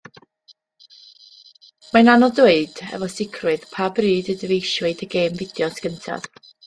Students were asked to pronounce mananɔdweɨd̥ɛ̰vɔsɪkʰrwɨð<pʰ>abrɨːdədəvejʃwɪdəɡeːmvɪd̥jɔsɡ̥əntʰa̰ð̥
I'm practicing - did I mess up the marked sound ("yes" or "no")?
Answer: no